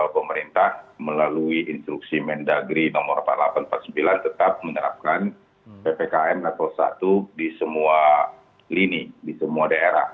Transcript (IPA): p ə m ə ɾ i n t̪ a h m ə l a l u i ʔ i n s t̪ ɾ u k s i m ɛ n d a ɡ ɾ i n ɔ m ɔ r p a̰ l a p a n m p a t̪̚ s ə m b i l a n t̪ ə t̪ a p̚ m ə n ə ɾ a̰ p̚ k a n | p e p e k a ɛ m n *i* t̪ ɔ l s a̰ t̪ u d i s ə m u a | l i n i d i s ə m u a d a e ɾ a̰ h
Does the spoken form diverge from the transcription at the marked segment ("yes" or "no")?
yes